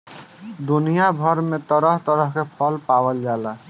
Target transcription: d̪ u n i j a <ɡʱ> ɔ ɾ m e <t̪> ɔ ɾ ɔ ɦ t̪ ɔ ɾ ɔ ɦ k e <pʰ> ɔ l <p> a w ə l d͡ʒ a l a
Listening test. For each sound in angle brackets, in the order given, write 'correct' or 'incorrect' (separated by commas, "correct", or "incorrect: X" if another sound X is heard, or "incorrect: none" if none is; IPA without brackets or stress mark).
incorrect: bʱ, correct, correct, correct